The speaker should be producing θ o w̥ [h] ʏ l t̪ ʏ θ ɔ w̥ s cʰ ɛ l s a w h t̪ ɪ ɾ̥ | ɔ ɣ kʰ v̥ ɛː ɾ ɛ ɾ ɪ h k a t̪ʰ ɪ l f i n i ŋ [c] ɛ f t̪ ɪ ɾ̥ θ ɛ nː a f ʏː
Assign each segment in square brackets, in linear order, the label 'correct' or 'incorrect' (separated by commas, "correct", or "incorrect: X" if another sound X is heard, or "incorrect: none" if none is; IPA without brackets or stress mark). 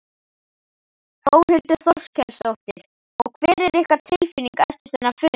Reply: correct, incorrect: k